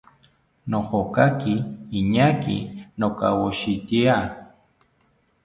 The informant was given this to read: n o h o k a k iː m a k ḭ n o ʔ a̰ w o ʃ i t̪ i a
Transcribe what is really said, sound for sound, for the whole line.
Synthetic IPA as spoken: n o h o k a k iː ɲ a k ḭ n o k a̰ w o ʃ i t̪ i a